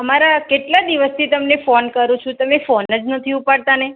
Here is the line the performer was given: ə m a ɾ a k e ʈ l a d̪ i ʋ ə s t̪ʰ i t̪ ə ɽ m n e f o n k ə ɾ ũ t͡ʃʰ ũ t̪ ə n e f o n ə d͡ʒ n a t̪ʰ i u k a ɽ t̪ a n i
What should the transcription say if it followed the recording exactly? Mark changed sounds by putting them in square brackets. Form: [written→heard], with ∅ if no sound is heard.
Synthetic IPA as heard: ə m a ɾ a k e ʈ l a d̪ i ʋ ə s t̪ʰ i t̪ ə [ɽ→∅] m n e f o n k ə ɾ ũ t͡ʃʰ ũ t̪ ə [n→m] e f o n ə d͡ʒ n [a→ə] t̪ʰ i u [k→p] a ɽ t̪ a n [i→e]